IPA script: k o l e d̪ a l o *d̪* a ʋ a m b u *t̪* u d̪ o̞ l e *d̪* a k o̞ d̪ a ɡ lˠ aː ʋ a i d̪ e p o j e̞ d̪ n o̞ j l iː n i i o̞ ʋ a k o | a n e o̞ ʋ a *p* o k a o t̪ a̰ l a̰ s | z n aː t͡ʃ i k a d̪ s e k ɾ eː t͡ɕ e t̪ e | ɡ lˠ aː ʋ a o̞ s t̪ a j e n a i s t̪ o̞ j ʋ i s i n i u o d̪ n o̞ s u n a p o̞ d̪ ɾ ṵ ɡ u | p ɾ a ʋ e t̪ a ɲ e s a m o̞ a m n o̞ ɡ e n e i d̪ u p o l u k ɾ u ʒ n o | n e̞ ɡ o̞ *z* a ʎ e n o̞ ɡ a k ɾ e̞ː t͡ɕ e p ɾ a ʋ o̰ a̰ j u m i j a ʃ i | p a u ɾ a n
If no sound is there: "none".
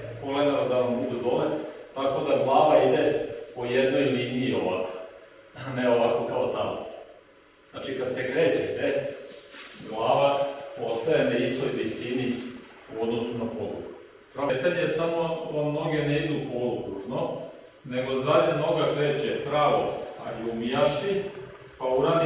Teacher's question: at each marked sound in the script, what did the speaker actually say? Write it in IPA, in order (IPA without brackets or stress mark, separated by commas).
d̪, d̪, t̪, k, z